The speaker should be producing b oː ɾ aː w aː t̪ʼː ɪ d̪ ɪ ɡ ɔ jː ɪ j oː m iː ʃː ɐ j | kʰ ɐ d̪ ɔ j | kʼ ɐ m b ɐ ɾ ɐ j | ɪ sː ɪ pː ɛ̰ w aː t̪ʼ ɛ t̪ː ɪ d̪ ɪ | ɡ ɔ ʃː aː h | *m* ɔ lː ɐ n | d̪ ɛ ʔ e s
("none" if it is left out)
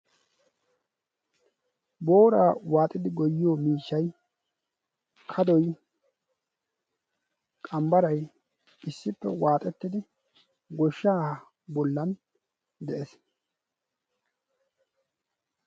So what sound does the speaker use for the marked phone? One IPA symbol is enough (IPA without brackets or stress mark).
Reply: b